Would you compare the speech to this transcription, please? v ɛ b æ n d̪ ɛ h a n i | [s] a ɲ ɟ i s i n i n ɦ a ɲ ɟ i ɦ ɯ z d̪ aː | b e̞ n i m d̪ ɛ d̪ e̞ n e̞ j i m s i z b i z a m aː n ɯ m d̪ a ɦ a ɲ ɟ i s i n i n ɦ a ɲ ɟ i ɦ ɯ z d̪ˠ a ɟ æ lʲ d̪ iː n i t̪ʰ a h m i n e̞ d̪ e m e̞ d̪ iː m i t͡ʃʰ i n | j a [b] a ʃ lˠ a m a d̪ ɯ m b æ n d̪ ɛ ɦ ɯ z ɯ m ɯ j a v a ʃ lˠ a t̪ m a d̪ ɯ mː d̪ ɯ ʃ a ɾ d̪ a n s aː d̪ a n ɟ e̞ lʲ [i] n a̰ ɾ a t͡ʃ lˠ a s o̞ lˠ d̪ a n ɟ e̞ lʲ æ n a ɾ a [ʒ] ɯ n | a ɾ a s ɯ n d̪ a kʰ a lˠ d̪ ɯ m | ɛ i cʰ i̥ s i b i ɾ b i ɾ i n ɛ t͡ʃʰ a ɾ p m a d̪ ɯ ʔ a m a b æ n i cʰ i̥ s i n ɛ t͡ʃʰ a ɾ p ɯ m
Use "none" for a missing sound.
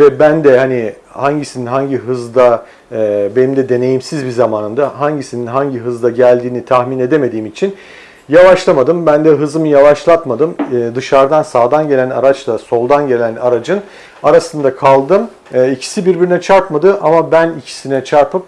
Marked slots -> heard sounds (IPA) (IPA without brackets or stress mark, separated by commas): h, v, æ, d͡ʒ